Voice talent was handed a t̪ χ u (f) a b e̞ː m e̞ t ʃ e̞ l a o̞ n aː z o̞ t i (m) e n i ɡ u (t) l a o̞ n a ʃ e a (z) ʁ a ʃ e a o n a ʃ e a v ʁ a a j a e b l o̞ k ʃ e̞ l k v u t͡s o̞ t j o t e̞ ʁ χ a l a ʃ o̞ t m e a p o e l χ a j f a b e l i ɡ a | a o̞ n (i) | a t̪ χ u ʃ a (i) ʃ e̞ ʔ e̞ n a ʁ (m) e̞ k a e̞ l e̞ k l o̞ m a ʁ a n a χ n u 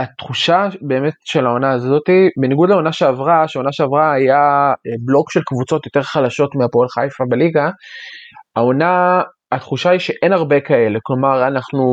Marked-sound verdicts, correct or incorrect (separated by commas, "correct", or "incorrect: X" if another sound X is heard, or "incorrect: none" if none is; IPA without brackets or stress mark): incorrect: ʃ, incorrect: b, incorrect: d, incorrect: v, incorrect: a, correct, incorrect: b